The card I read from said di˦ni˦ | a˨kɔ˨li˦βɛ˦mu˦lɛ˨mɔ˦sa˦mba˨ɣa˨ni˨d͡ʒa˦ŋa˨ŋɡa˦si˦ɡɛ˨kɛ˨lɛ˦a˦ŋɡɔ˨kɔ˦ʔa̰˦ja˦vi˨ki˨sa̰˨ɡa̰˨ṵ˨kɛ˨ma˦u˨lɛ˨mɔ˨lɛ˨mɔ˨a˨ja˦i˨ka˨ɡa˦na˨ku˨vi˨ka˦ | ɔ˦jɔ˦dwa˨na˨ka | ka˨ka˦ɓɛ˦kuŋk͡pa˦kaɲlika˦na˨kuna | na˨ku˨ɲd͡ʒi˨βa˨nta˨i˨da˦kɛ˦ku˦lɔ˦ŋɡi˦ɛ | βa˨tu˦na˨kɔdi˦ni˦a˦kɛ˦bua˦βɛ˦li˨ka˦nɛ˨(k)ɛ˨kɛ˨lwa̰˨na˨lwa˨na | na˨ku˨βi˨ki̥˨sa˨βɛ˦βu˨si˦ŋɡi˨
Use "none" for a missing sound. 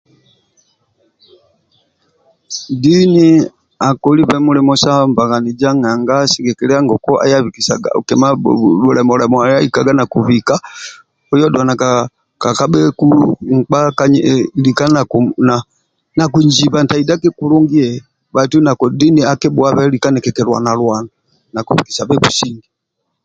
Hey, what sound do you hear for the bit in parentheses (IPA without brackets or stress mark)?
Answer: k